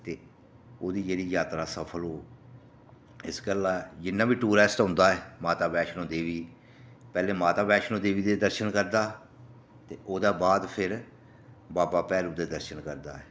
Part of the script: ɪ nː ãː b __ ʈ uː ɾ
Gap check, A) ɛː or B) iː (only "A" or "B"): B